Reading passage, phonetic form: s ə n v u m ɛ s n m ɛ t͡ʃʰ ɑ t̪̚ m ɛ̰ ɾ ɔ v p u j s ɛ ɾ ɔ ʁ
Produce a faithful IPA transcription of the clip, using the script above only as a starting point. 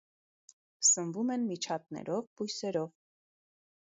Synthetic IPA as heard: s ə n v u m ɛ n m i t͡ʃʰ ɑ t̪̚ n ɛ̰ ɾ ɔ v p u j s ɛ ɾ ɔ v